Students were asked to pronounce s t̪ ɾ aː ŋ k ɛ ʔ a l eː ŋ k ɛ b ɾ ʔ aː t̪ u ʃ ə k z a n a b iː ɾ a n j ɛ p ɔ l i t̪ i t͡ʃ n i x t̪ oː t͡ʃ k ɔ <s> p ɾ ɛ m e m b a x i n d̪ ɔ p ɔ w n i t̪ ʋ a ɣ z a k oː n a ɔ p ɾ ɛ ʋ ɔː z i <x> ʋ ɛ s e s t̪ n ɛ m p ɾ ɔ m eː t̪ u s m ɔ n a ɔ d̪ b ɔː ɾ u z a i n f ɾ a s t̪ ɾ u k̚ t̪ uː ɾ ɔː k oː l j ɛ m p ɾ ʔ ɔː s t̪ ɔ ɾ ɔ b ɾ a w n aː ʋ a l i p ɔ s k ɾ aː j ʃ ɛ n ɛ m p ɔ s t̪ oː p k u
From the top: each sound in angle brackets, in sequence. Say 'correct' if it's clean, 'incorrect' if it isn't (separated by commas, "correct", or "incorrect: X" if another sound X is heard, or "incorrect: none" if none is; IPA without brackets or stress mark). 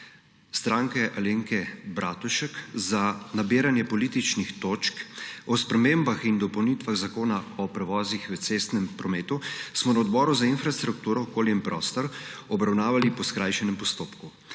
correct, correct